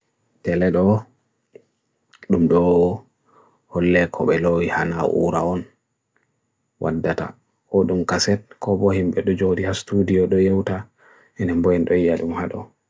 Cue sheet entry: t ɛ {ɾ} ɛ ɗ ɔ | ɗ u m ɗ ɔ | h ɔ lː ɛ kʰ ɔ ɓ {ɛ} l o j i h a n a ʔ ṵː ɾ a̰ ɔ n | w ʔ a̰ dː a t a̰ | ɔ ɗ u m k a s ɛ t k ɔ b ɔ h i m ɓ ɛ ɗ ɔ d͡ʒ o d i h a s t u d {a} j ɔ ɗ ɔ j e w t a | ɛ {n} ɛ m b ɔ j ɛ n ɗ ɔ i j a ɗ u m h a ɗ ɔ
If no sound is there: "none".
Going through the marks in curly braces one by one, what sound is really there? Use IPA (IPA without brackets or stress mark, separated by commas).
l, ɛ, i, n